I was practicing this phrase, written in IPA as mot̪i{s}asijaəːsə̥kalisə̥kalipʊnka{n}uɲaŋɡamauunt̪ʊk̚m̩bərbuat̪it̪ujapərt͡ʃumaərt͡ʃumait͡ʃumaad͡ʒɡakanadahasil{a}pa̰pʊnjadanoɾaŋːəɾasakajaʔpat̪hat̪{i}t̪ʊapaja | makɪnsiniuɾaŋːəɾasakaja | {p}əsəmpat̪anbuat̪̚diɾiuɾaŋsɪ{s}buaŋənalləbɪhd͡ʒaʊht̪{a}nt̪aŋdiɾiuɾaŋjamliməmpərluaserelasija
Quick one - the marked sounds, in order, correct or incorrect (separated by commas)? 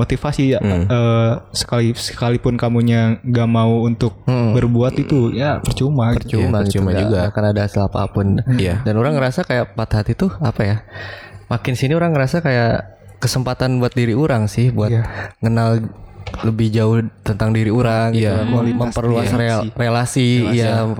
incorrect, incorrect, correct, correct, incorrect, incorrect, incorrect